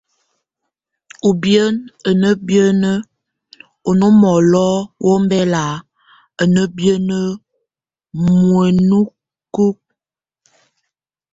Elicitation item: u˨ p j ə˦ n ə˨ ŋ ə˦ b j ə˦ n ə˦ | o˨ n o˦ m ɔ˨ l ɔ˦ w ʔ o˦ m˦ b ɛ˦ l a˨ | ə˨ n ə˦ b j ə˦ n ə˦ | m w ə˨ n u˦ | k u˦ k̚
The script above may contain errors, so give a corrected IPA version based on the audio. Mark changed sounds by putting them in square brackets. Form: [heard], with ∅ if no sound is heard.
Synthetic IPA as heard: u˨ [b] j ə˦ n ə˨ [n] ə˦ b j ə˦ n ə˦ | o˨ n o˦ m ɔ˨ l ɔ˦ w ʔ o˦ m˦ b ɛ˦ l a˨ | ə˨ n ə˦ b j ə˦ n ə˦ | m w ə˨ n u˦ | k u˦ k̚

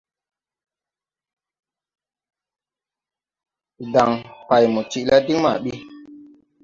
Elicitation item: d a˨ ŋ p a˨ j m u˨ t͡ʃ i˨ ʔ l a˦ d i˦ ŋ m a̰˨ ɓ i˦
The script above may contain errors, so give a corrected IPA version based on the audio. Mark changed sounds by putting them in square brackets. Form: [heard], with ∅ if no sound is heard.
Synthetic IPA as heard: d a˨ ŋ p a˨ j m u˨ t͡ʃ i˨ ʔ l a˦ d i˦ ŋ m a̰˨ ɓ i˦

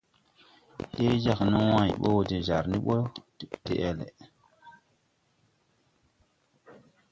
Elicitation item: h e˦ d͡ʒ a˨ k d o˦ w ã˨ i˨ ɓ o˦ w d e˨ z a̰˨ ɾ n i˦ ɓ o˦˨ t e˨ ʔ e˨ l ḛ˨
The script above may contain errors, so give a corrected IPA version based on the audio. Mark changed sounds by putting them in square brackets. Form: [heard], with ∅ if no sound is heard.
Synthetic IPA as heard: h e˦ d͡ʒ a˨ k [n] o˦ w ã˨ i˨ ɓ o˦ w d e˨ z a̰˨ ɾ n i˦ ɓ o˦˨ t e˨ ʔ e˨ l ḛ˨

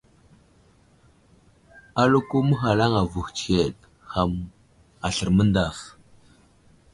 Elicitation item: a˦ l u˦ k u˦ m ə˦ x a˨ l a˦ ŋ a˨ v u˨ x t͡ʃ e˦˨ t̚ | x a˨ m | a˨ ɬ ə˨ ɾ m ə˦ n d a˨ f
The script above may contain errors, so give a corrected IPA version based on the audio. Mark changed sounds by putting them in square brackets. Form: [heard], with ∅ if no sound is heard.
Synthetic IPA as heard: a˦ l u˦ k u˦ m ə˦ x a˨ l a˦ ŋ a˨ v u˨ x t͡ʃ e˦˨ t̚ | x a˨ m | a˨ ɬ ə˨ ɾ m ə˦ n d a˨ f

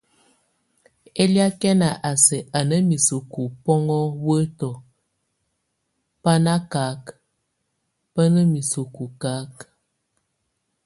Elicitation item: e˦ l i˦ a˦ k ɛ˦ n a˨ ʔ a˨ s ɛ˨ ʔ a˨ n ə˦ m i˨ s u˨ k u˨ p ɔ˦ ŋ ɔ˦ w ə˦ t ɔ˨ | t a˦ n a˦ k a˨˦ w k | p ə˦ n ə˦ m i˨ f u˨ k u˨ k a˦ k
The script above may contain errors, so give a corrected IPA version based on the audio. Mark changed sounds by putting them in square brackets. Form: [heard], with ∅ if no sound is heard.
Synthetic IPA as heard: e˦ l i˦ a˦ k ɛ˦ n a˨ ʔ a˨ s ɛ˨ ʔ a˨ n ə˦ m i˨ s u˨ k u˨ p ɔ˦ ŋ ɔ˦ w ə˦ t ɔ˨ | [p] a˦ n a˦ k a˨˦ [∅] k | p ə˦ n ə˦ m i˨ [s] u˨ k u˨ k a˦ k

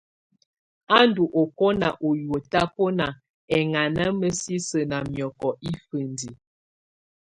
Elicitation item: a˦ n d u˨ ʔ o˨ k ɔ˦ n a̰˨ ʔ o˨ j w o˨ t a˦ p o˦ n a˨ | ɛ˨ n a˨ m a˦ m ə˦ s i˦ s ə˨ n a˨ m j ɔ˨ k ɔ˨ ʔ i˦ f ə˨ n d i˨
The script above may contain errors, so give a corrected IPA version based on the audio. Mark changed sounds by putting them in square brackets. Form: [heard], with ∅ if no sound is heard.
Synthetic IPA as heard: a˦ n d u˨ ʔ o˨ k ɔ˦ n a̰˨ ʔ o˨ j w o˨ t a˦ p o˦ n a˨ | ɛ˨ [ŋ] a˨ [n] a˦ m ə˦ s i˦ s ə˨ n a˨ m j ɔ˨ k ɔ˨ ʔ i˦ f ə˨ n d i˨

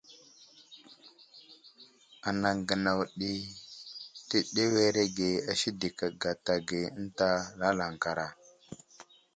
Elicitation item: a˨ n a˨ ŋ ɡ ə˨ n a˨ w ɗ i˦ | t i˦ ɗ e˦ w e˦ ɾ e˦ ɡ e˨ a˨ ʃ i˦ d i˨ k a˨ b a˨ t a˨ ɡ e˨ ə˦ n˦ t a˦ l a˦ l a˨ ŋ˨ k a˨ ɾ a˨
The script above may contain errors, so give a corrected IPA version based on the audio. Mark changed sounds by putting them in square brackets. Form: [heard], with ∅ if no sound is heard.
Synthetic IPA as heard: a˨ n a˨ ŋ ɡ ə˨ n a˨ w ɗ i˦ | t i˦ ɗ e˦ w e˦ ɾ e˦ ɡ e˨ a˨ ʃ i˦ d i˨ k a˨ [ɡ] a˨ t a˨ ɡ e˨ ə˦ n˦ t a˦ l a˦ l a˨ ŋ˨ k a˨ ɾ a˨

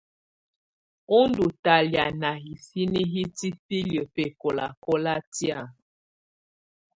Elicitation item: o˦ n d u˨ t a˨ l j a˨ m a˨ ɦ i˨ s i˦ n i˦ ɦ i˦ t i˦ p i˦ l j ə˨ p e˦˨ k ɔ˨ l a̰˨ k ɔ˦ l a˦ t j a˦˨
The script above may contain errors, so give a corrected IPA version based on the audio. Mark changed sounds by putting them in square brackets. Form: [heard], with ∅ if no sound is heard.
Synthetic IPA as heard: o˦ n d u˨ t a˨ l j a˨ [n] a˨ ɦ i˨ s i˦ n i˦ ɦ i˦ t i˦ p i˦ l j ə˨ p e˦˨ k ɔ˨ l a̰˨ k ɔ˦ l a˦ t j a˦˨

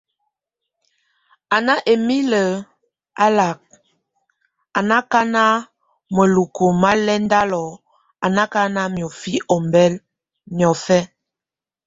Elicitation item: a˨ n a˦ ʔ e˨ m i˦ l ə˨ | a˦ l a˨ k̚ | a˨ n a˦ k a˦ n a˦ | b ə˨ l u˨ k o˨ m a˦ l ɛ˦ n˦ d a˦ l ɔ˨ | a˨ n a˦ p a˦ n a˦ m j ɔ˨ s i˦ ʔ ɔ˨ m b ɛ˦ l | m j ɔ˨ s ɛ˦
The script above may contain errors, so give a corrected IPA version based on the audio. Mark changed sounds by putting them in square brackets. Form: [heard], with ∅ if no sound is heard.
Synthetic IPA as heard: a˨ n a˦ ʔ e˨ m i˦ l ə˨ | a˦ l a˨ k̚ | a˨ n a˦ k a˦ n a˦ | [m] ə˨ l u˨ k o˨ m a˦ l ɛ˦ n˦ d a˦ l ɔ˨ | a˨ n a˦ [k] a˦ n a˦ m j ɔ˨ [f] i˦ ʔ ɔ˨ m b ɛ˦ l | m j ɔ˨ [f] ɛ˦

